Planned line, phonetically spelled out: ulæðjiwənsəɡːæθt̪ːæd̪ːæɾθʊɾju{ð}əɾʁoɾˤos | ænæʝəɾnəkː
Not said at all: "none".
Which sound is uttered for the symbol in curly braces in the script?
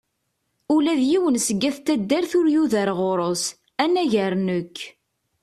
ð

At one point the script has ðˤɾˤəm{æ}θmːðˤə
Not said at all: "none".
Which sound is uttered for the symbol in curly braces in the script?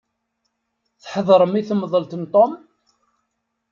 i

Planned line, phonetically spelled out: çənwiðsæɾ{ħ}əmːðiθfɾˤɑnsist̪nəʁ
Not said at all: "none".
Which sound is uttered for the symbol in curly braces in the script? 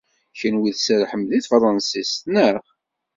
ħ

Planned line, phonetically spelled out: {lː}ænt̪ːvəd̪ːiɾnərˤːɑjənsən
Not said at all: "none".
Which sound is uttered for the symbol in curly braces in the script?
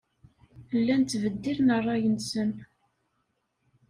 lː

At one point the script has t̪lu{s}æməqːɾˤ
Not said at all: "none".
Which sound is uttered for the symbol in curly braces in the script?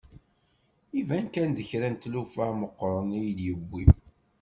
f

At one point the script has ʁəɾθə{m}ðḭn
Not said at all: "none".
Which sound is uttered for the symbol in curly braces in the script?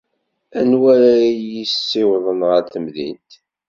m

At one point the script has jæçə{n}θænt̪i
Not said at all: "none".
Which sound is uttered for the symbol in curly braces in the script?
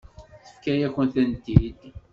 n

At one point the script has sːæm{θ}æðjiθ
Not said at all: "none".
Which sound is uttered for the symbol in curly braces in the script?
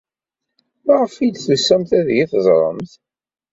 θ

